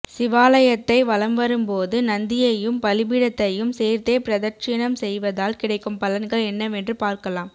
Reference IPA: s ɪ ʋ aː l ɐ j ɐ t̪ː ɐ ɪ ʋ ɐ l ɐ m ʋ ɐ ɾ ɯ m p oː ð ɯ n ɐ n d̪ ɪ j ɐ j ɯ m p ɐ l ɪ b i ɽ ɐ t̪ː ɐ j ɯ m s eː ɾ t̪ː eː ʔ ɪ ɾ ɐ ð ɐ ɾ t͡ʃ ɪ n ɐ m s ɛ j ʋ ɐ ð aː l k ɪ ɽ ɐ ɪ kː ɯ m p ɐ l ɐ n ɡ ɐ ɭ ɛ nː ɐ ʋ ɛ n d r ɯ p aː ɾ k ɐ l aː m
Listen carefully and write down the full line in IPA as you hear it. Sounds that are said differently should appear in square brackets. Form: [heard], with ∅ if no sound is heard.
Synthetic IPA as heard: s ɪ ʋ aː l ɐ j ɐ t̪ː ɐ ɪ ʋ ɐ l ɐ m ʋ ɐ ɾ ɯ m p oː ð ɯ n ɐ n d̪ ɪ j ɐ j ɯ m p ɐ l ɪ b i ɽ ɐ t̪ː ɐ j ɯ m s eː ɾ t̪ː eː [p] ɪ ɾ ɐ ð ɐ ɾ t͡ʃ ɪ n ɐ m s ɛ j ʋ ɐ ð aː l k ɪ ɽ ɐ ɪ kː ɯ m p ɐ l ɐ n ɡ ɐ ɭ ɛ nː ɐ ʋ ɛ n d r ɯ p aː ɾ k ɐ l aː m